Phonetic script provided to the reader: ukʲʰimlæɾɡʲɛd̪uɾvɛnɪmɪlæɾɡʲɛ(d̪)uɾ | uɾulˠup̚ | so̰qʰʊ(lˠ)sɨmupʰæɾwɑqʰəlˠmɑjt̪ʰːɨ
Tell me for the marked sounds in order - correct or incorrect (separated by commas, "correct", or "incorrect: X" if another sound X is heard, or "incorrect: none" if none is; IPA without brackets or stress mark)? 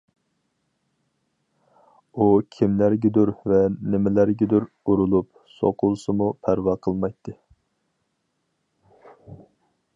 correct, correct